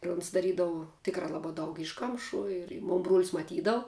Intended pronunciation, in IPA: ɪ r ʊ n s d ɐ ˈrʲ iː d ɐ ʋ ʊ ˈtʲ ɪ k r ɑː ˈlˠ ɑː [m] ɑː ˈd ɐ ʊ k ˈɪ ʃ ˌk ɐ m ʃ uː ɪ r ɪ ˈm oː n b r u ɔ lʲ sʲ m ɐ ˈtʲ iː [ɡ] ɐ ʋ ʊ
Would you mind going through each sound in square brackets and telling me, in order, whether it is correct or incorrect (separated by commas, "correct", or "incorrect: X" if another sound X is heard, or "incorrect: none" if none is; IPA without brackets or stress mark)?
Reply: incorrect: b, incorrect: d